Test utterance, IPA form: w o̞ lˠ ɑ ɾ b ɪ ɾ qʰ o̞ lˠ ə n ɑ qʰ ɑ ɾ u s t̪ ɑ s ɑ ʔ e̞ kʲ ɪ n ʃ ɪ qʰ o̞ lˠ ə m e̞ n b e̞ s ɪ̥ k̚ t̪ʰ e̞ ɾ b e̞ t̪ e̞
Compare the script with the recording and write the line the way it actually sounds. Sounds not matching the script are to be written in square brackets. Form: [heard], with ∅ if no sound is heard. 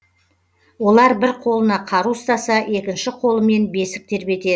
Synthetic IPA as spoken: w o̞ lˠ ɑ ɾ b ɪ ɾ qʰ o̞ lˠ ə n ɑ qʰ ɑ ɾ u s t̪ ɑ s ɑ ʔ e̞ kʲ ɪ n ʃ ɪ qʰ o̞ lˠ ə m e̞ n b e̞ s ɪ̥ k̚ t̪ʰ e̞ ɾ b e̞ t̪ e̞